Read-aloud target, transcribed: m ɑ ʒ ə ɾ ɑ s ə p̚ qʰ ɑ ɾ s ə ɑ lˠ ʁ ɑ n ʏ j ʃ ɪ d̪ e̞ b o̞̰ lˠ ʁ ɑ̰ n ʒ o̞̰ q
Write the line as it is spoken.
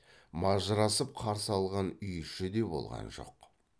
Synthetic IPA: m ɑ ʒ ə ɾ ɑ s ə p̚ qʰ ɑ ɾ s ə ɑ lˠ ʁ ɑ n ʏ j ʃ ɪ d̪ e̞ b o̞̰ lˠ ʁ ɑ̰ n ʒ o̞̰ q